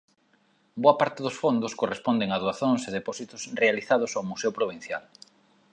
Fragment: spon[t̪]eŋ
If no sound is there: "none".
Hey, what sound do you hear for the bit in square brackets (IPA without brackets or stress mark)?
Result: d̪